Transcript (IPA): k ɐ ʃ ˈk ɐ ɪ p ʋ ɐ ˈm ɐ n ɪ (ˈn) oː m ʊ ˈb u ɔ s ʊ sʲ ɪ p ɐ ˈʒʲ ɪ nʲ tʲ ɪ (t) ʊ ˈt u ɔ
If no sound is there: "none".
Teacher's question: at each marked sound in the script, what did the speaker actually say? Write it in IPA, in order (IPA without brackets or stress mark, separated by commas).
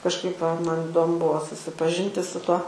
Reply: d, s